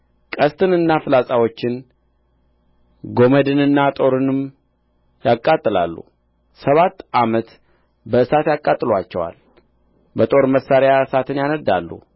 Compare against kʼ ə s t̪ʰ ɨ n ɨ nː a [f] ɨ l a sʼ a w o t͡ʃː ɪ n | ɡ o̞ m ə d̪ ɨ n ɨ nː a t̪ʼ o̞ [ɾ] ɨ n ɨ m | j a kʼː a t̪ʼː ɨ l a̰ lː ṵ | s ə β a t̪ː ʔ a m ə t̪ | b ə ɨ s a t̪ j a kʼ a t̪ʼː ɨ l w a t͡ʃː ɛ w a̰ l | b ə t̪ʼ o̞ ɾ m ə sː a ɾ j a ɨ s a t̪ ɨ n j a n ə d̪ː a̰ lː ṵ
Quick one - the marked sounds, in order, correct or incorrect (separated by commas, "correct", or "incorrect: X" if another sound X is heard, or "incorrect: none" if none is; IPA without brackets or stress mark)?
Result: correct, correct